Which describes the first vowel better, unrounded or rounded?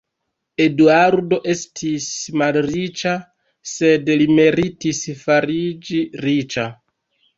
unrounded